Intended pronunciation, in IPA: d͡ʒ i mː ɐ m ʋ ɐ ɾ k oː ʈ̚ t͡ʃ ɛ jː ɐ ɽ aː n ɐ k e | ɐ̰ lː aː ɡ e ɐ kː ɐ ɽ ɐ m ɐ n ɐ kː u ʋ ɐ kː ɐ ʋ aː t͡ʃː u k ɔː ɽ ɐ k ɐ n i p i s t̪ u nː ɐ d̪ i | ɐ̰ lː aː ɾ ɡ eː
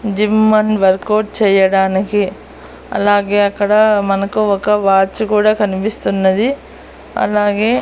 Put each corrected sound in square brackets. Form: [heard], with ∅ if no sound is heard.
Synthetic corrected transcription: d͡ʒ i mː ɐ [n] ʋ ɐ ɾ k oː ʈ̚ t͡ʃ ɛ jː ɐ ɽ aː n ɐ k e | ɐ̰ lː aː ɡ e ɐ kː ɐ ɽ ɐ m ɐ n ɐ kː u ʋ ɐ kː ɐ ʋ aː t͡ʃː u k [uː] ɽ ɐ k ɐ n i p i s t̪ u nː ɐ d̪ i | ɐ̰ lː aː [∅] ɡ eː